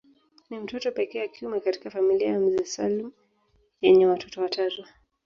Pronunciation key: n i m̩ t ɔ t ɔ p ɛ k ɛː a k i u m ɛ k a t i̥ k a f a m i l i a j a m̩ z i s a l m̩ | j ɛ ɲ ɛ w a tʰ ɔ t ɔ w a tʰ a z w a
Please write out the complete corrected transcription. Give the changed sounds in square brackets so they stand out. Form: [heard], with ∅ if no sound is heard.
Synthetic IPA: n i m̩ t ɔ t ɔ p ɛ k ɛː a k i u m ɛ k a t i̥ k a f a m i l i a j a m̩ z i s a l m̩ | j ɛ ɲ ɛ w a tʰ ɔ t ɔ w a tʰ a z w a

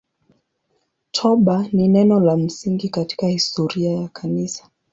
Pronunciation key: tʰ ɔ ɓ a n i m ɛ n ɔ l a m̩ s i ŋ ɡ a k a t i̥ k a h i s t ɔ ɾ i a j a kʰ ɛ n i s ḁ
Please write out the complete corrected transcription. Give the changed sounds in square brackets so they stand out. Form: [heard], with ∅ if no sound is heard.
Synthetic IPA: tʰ ɔ ɓ a n i [n] ɛ n ɔ l a m̩ s i ŋ ɡ [i] k a t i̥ k a h i s t ɔ ɾ i a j a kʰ [a] n i s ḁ

